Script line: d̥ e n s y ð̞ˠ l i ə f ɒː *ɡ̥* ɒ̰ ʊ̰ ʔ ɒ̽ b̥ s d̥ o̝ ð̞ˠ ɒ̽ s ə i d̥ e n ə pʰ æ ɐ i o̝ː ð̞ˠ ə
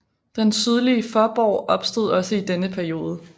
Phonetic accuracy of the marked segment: incorrect: b̥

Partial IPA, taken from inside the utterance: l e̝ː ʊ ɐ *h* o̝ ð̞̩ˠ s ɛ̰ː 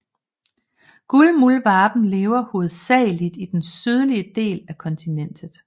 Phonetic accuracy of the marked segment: correct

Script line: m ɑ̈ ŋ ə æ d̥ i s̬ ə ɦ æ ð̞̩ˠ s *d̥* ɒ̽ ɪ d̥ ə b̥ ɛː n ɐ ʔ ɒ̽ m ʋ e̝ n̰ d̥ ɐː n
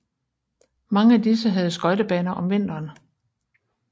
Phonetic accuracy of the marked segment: incorrect: ɡ̥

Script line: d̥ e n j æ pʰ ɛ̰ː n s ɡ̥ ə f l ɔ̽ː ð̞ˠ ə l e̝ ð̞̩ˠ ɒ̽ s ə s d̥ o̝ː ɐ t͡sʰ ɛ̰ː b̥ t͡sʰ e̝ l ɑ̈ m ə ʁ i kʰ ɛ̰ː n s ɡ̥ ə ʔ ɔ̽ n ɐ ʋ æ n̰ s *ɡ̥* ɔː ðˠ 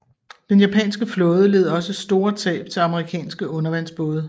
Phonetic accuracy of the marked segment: incorrect: b̥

